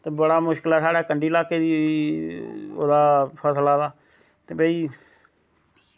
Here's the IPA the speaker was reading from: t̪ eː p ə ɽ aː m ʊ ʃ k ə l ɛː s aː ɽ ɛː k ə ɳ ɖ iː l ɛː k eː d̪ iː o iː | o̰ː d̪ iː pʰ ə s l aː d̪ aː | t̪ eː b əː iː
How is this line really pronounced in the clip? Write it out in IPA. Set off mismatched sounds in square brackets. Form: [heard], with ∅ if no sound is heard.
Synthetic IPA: t̪ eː [b] ə ɽ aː m ʊ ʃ k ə l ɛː s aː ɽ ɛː k ə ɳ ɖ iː l [aː] k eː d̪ iː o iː | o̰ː d̪ [aː] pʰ ə s l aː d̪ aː | t̪ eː b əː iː